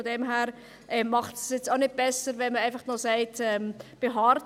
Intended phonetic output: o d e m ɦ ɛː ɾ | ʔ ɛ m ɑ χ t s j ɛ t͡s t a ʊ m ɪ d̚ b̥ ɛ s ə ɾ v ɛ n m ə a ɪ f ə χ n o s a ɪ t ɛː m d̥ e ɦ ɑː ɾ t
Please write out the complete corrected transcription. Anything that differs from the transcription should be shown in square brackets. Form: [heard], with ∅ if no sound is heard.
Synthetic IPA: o d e m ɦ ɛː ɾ | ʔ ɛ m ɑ χ t s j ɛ t͡s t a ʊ [n] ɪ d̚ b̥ ɛ s ə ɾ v ɛ n m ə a ɪ f [ɑ] χ n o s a ɪ t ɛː m [b̥] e ɦ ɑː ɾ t

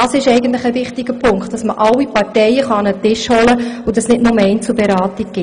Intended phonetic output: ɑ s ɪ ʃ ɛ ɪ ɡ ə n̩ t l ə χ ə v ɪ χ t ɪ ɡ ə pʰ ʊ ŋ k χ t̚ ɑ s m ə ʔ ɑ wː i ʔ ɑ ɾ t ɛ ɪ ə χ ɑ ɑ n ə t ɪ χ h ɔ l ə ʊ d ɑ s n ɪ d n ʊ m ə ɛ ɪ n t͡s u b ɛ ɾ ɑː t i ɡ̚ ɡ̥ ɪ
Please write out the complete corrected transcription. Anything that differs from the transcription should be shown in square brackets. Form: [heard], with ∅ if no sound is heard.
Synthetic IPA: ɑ s ɪ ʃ ɛ ɪ ɡ ə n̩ t l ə χ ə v ɪ χ t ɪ ɡ ə pʰ ʊ ŋ k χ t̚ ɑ s m ə ʔ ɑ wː i [p] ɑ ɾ t ɛ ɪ ə χ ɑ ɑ n ə t ɪ [ʃ] h ɔ l ə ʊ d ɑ s n ɪ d n ʊ m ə ɛ ɪ n t͡s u b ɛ ɾ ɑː t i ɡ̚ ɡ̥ ɪ

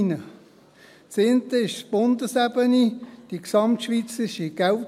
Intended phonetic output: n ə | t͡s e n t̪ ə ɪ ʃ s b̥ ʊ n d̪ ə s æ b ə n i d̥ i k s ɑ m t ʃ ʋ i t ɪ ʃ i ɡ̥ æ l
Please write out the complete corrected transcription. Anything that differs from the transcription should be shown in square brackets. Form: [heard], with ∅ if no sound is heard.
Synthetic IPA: n ə | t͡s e n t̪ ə ɪ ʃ s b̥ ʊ n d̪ ə s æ b ə n i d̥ i k s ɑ m t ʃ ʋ i [t͡s] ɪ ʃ i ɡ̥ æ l

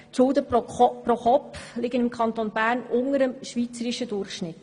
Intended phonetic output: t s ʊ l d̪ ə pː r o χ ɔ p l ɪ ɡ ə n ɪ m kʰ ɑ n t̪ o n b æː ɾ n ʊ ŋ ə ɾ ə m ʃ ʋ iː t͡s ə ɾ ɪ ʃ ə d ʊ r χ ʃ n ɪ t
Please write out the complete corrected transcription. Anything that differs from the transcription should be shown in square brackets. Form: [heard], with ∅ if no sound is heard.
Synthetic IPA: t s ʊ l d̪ ə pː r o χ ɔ p l ɪ ɡ ə n ɪ m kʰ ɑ n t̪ o n b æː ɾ n ʊ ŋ ə ɾ ə m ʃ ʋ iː t͡s ə ɾ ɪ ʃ ə d ʊ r χ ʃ n ɪ t

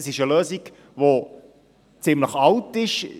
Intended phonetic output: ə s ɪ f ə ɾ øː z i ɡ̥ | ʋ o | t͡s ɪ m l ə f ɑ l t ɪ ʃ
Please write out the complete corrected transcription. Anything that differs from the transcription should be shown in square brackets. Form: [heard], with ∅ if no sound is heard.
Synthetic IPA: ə s ɪ [ʃ] ə [l] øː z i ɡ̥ | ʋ o | t͡s ɪ m l ə [χ] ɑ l t ɪ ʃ

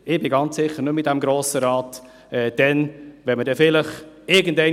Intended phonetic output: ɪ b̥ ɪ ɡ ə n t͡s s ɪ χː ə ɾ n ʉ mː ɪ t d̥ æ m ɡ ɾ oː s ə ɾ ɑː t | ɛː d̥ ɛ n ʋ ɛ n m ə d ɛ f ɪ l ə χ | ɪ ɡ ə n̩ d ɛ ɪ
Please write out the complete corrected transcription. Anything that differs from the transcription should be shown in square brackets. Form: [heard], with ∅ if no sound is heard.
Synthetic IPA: ɪ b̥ ɪ ɡ [ɑ] n t͡s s ɪ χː ə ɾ n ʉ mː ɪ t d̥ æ m ɡ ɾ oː s ə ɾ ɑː t | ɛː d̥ ɛ n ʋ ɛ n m ə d ɛ f ɪ l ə χ | ɪ ɡ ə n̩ d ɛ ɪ

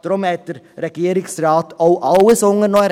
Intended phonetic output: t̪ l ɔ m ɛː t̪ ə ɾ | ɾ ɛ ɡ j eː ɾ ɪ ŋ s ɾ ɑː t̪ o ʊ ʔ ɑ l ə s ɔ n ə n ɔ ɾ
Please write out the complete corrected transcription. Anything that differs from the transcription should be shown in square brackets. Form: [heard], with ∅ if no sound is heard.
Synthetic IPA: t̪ [ɾ] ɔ m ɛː t̪ ə ɾ | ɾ ɛ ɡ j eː ɾ ɪ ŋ s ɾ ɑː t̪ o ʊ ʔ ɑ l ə s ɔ [ŋ] ə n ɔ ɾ

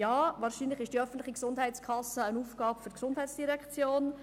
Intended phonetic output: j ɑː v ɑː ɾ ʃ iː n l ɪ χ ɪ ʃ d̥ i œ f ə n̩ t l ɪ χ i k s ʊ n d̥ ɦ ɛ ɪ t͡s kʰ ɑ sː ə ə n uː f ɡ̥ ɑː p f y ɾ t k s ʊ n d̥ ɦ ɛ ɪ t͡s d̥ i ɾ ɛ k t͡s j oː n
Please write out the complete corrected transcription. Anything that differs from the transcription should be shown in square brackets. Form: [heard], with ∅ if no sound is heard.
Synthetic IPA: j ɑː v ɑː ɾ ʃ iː n l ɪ χ ɪ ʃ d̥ i œ f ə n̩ t l ɪ χ i k s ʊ n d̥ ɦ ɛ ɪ t͡s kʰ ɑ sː ə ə n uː f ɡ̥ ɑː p f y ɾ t k s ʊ n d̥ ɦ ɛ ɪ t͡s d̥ i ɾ ɛ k t͡s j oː n

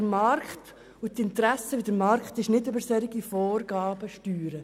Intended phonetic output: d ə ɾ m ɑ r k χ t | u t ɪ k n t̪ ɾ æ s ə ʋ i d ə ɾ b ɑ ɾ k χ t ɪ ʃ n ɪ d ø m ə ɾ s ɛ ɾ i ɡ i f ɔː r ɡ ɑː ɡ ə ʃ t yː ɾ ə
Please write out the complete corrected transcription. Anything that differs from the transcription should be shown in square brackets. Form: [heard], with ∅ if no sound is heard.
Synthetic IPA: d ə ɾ m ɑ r k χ t | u t ɪ [∅] n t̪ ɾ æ s ə ʋ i d ə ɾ [m] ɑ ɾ k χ t ɪ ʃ n ɪ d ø [b] ə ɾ s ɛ ɾ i ɡ i f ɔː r ɡ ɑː [b] ə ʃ t yː ɾ ə

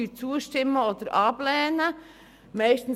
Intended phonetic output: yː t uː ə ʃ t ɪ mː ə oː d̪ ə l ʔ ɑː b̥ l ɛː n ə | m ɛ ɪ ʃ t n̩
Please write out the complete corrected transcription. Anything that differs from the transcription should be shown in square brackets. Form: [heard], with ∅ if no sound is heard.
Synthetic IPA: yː [t͡s] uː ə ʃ t ɪ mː ə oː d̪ ə [ɾ] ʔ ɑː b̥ l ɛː n ə | m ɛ ɪ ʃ t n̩

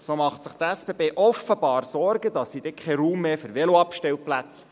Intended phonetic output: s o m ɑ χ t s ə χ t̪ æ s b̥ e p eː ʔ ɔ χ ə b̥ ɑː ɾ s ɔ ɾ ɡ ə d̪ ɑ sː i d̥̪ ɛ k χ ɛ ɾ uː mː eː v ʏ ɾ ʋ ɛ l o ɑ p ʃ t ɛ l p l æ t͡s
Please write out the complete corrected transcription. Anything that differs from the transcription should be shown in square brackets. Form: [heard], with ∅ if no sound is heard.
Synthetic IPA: s o m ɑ χ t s ə χ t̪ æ s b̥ e [b] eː ʔ ɔ [f] ə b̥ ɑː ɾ s ɔ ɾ ɡ ə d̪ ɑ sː i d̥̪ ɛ k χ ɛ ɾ uː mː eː [f] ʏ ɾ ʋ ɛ l o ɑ p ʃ t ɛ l p l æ t͡s

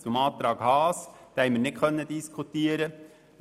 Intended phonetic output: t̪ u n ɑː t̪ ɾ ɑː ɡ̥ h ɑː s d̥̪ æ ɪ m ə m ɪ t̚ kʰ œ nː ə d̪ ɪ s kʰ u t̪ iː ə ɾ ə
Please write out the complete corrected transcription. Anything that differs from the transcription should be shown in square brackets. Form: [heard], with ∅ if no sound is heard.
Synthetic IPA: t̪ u [m] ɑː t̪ ɾ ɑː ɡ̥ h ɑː s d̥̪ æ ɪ m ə [n] ɪ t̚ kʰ œ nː ə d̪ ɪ s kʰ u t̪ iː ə ɾ ə

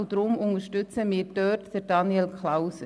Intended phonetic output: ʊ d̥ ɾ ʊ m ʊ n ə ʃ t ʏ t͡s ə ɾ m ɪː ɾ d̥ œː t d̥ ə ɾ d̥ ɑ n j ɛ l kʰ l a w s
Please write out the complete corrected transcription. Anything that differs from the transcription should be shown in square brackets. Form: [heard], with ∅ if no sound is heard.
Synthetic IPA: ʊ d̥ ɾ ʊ m ʊ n ə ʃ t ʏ t͡s ə [∅] m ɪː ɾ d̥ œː t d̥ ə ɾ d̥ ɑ n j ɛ l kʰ l a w s

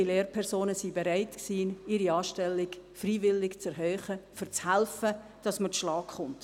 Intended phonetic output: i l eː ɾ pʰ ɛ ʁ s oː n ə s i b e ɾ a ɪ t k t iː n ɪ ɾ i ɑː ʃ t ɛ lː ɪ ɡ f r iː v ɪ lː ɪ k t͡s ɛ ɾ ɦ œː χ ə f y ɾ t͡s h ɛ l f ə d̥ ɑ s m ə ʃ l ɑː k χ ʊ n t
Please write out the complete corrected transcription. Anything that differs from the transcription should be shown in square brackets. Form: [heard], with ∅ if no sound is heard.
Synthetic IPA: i l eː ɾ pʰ ɛ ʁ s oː n ə s i b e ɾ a ɪ t k [s] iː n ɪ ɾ i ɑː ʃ t ɛ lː ɪ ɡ f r iː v ɪ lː ɪ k t͡s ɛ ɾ ɦ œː χ ə f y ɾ t͡s h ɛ l f ə d̥ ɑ s m ə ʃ l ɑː k χ ʊ n t

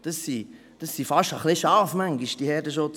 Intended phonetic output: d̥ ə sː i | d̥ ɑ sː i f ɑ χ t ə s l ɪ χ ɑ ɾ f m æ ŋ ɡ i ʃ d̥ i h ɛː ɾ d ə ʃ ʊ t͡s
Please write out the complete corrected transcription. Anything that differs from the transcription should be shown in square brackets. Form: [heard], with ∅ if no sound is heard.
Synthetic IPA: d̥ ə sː i | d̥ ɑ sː i f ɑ [ʃ] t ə [χ] l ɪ [ʃ] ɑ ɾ f m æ ŋ ɡ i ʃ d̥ i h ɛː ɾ d ə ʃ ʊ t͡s

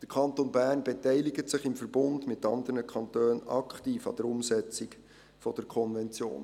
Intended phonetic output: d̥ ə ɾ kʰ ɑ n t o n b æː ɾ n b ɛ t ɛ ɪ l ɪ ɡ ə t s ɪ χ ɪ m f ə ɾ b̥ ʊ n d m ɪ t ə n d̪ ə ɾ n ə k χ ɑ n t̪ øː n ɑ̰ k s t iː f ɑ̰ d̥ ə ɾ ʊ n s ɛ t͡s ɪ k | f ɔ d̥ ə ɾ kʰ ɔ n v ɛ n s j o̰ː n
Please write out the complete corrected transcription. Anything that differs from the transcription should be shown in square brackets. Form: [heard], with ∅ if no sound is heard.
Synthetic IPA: d̥ ə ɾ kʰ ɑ n t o n b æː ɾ n b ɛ t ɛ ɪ l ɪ ɡ ə t s ɪ χ ɪ m f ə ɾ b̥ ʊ n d m ɪ t [ɑ] n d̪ ə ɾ n ə k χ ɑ n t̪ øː n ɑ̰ k [χ] t iː f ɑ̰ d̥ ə ɾ ʊ [m] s ɛ t͡s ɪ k | f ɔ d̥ ə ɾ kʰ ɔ n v ɛ n [t͡s] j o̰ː n

